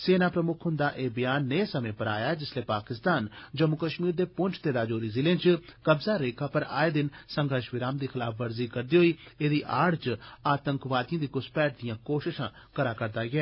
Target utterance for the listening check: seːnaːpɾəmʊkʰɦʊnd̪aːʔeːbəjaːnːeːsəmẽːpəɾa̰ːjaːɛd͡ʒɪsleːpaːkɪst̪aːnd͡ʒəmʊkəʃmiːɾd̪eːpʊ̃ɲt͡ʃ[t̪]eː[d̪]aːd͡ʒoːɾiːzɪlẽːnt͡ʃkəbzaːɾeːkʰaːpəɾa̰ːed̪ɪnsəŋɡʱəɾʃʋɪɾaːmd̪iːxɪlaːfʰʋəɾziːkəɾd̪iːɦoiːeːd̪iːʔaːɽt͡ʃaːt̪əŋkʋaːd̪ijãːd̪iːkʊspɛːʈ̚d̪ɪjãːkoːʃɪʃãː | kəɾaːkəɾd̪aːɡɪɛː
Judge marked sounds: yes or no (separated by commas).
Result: yes, yes